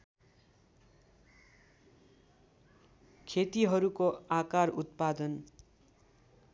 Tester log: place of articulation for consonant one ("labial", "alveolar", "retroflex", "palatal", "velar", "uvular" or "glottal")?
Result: velar